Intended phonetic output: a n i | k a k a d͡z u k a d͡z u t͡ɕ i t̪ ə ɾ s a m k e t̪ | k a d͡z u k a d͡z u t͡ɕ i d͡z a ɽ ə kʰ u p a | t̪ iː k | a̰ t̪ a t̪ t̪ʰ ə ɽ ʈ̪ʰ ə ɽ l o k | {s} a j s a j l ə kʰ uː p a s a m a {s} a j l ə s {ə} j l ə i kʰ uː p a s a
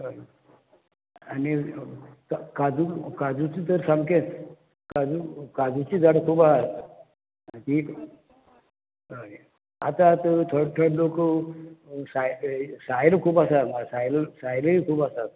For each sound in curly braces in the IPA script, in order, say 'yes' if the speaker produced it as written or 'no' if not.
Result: yes, yes, no

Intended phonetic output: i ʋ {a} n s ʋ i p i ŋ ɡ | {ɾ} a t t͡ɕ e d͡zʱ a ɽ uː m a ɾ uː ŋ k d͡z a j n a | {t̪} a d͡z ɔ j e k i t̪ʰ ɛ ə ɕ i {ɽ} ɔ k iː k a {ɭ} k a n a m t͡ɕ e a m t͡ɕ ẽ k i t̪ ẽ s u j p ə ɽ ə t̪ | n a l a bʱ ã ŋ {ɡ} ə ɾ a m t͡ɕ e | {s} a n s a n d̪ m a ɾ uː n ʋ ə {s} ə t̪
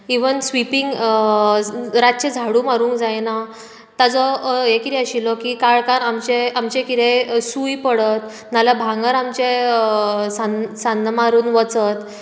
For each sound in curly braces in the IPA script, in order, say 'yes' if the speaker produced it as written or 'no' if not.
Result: no, yes, yes, no, yes, yes, yes, no

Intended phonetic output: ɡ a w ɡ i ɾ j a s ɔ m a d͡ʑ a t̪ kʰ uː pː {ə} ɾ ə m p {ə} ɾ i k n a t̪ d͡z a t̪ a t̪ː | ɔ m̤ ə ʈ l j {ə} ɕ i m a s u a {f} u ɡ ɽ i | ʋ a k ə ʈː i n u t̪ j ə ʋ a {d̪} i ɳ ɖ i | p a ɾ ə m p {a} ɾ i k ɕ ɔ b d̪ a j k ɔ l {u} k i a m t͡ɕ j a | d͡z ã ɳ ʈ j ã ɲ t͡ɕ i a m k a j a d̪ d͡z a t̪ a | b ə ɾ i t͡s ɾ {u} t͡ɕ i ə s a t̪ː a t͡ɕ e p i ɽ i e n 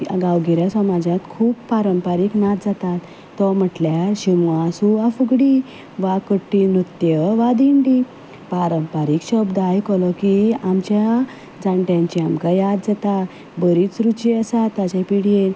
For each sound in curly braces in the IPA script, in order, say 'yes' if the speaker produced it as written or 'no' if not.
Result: no, no, no, yes, yes, yes, no, yes

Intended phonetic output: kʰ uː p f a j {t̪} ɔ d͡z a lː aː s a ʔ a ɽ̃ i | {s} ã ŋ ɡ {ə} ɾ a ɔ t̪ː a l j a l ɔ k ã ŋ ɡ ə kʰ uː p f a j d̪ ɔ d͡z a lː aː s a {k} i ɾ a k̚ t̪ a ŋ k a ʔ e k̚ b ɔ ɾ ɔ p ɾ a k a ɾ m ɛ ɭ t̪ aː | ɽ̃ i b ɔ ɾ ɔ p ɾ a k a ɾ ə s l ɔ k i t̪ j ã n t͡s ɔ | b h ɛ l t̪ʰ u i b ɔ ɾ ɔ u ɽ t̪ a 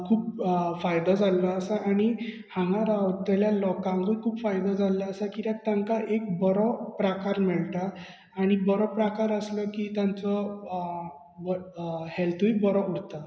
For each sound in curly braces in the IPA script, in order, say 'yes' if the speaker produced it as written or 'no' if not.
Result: no, no, no, yes

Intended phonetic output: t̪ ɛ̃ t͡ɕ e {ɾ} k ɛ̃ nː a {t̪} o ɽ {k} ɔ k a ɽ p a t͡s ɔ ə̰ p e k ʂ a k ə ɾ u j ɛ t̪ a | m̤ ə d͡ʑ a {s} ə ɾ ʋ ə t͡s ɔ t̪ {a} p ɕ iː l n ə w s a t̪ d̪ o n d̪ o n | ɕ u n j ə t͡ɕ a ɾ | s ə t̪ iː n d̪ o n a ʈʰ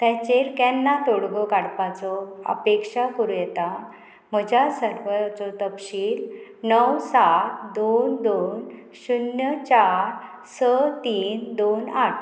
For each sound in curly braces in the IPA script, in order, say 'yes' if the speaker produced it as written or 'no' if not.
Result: yes, yes, no, yes, no

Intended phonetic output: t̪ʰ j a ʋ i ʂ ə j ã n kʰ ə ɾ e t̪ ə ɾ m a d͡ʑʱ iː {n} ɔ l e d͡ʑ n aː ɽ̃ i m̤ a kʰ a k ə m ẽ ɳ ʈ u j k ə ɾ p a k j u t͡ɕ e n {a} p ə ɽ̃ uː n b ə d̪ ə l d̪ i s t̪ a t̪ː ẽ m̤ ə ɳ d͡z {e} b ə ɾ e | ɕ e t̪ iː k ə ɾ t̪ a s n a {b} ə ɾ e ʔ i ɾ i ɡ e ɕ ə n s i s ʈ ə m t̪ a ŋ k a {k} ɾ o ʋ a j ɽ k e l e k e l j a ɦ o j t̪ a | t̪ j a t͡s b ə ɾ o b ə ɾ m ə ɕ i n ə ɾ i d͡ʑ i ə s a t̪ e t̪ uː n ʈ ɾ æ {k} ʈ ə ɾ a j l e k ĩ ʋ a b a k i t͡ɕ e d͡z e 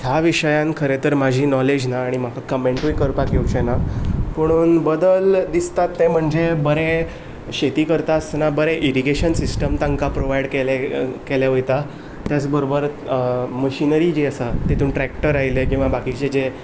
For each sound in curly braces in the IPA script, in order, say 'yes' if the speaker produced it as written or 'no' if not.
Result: yes, yes, yes, yes, no, yes

